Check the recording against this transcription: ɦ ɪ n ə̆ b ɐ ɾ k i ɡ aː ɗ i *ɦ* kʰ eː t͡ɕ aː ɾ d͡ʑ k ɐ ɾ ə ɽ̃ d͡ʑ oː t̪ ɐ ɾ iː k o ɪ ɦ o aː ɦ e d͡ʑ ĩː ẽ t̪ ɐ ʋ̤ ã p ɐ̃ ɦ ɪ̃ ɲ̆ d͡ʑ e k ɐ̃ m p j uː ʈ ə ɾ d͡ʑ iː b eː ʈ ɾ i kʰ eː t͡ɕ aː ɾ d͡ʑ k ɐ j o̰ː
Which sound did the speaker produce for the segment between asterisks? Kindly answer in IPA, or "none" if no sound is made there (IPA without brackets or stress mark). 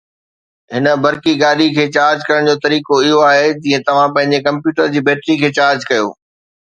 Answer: none